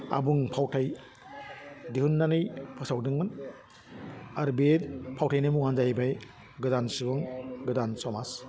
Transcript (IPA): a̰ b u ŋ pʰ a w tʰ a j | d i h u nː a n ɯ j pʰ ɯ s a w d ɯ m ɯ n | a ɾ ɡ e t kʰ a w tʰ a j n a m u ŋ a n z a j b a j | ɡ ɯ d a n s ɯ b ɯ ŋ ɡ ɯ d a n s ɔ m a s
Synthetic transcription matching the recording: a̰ b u ŋ pʰ a w tʰ a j | d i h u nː a n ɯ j pʰ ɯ s a w d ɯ ŋ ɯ n | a ɾ b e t pʰ a w tʰ a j n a m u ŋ a n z a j b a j | ɡ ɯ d a n s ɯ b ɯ ŋ ɡ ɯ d a n s ɔ m a s